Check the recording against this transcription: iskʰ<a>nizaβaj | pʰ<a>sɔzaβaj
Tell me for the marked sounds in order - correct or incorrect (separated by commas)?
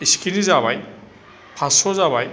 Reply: incorrect, correct